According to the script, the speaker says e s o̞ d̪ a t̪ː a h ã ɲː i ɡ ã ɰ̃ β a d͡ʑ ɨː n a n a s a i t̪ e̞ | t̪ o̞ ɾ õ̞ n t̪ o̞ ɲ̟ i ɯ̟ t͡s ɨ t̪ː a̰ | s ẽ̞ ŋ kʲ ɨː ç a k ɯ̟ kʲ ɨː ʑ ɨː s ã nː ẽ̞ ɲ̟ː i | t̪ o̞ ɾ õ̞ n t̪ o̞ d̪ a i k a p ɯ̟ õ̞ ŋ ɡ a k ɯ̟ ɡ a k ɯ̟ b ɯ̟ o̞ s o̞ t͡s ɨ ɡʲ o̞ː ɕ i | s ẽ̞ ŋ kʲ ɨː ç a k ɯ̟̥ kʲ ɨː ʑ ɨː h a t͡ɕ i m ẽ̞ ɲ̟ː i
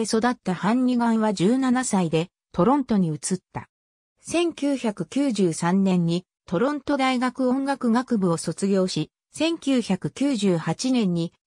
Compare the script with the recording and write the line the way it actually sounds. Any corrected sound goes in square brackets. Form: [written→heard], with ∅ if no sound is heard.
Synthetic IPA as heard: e s o̞ d̪ a t̪ː a h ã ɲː i ɡ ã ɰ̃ β a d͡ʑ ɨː n a n a s a i [t̪→d̪] e̞ | t̪ o̞ ɾ õ̞ n t̪ o̞ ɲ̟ i ɯ̟ t͡s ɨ t̪ː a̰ | s ẽ̞ ŋ kʲ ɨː ç a k ɯ̟ kʲ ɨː ʑ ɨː s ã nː ẽ̞ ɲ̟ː i | t̪ o̞ ɾ õ̞ n t̪ o̞ d̪ a i [k→ɡ] a [p→k] ɯ̟ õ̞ ŋ ɡ a k ɯ̟ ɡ a k ɯ̟ b ɯ̟ o̞ s o̞ t͡s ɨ ɡʲ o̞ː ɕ i | s ẽ̞ ŋ kʲ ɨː ç a k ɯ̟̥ kʲ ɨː ʑ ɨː h a t͡ɕ i [m→n] ẽ̞ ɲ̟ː i